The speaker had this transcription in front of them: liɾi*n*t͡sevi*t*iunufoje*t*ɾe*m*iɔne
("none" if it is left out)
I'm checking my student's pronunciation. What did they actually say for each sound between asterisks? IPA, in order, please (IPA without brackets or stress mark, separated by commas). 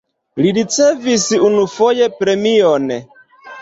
none, s, p, m